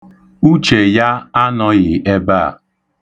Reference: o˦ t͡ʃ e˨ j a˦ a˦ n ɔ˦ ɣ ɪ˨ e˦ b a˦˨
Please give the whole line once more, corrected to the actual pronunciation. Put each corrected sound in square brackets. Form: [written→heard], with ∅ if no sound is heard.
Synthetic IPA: [o˦→u˦] t͡ʃ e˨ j a˦ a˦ n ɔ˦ ɣ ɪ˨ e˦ b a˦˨